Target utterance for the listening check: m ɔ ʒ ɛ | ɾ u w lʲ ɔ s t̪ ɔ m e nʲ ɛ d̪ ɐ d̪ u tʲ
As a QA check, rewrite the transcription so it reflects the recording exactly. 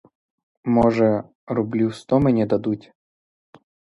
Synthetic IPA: m ɔ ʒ ɛ | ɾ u b lʲ u s t̪ ɔ m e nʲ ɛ d̪ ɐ d̪ u tʲ

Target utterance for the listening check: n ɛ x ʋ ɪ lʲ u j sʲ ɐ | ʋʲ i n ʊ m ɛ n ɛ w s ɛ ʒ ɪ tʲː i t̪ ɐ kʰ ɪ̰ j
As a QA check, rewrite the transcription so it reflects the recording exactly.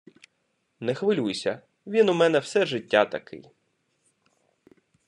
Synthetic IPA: n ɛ x ʋ ɪ lʲ u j sʲ ɐ | ʋʲ i n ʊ m ɛ n ɛ w s ɛ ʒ ɪ tʲː a t̪ ɐ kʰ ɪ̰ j

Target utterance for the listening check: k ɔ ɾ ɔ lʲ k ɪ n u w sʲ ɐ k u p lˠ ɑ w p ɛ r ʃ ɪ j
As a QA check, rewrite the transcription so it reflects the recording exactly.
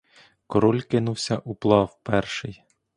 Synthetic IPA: k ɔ ɾ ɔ lʲ k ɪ n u w sʲ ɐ ʔ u p lˠ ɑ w p ɛ r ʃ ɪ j

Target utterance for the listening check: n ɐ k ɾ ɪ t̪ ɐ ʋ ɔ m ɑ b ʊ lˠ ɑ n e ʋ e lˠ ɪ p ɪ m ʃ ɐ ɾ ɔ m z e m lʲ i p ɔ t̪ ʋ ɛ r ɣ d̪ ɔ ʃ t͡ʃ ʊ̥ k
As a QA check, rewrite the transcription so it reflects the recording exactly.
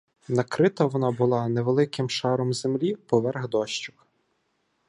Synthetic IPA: n ɐ k ɾ ɪ t̪ ɐ ʋ ɔ n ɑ b ʊ lˠ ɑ n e ʋ e lˠ ɪ k ɪ m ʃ ɑ ɾ ɔ m z e m lʲ i p ɔ ʋ ɛ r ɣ d̪ ɔ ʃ t͡ʃ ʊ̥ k

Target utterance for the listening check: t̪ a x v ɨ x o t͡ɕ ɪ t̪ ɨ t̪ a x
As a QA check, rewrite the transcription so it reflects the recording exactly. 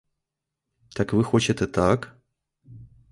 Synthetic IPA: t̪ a k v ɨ x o t͡ɕ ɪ t̪ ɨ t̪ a k

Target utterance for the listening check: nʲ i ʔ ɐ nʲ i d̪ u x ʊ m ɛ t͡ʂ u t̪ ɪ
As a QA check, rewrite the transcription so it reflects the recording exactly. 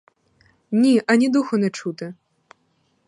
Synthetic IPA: nʲ i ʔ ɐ nʲ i d̪ u x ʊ n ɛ t͡ʂ u t̪ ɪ

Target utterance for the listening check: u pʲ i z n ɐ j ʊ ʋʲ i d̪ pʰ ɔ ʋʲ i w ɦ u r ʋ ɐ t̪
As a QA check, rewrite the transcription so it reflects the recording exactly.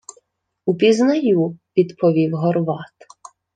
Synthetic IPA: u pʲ i z n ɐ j u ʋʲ i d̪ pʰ ɔ ʋʲ i w ɦ ɔ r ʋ ɑ t̪

